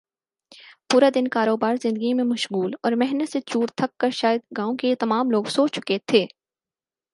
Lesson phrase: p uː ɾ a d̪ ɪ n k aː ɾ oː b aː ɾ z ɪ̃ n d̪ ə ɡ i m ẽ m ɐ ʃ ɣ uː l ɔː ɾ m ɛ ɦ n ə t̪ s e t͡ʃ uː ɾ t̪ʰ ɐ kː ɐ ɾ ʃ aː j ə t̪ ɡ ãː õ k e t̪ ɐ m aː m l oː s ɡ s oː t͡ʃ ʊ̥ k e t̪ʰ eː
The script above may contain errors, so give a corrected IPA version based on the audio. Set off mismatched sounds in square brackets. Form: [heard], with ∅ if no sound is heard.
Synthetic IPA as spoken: p uː ɾ a d̪ ɪ n k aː ɾ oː b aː ɾ z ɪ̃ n d̪ ə ɡ i m ẽ m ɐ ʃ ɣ uː l ɔː ɾ m ɛ ɦ n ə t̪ s e t͡ʃ uː ɾ t̪ʰ ɐ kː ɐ ɾ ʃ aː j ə [d̪] ɡ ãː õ k e t̪ ɐ m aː m l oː [∅] ɡ s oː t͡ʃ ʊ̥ k e t̪ʰ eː